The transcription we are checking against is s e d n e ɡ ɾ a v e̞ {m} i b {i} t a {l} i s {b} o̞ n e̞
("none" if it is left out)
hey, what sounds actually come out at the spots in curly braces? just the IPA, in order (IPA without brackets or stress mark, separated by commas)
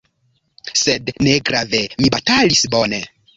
m, a, l, b